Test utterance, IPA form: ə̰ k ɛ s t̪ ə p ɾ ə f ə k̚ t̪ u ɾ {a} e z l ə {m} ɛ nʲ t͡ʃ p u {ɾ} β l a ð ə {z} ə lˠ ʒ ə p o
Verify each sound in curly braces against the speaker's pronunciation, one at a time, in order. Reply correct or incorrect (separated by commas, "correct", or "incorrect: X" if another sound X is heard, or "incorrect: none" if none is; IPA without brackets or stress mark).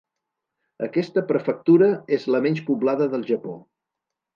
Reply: incorrect: ə, correct, incorrect: none, incorrect: ð